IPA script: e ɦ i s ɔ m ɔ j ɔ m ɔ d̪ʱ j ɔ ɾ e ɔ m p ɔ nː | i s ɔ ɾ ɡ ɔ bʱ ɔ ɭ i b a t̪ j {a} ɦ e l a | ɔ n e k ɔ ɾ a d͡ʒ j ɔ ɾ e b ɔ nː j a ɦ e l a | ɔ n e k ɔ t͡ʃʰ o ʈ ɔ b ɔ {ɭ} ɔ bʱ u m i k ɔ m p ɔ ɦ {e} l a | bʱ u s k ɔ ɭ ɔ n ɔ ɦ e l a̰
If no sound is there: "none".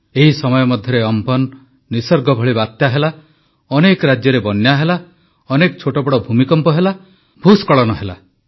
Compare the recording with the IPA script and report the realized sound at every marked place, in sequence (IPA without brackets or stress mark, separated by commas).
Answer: a, ɽ, e